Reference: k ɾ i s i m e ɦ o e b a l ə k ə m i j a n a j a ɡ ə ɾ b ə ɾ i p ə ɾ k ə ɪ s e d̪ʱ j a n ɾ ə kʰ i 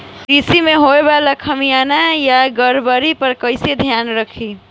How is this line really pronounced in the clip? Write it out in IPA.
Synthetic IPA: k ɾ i s i m e ɦ o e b a l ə kʰ ə m i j a n a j a ɡ ə ɾ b ə ɾ i p ə ɾ k ə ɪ s e d̪ʱ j a n ɾ ə kʰ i